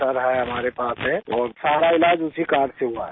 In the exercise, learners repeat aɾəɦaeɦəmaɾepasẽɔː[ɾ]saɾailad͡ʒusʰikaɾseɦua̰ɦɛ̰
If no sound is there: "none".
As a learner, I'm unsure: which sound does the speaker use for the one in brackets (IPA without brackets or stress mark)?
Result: ɾ